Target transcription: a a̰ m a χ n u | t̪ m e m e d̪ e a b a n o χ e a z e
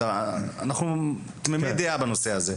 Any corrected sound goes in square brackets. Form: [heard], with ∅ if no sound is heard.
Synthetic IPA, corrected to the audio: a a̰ [n] a χ n u | t̪ m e m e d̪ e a b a n o [s] e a z e